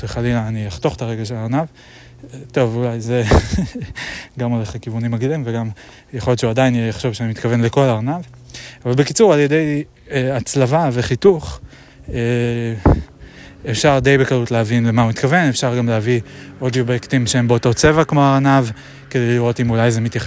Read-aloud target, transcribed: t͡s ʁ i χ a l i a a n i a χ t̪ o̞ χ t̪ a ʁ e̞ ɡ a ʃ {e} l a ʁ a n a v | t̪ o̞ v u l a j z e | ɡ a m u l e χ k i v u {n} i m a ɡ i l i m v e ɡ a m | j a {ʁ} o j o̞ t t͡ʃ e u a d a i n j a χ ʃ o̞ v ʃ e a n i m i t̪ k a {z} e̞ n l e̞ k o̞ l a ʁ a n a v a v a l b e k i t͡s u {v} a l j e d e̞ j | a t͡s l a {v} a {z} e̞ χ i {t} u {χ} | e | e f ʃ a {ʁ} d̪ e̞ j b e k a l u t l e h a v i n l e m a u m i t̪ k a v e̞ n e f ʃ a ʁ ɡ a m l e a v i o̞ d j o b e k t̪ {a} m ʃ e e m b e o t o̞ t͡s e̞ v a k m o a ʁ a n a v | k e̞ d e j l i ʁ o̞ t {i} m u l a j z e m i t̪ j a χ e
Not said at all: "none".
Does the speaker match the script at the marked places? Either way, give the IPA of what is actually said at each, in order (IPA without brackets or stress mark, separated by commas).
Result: e, n, χ, v, ʁ, v, v, t, χ, ʁ, i, i